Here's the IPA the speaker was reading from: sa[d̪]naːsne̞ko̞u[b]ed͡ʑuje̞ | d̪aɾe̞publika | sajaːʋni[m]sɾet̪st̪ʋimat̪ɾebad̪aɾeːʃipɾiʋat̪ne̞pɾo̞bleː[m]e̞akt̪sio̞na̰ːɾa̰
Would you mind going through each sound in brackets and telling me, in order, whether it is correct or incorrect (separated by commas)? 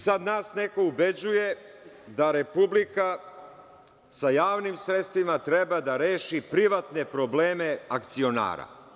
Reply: correct, correct, correct, correct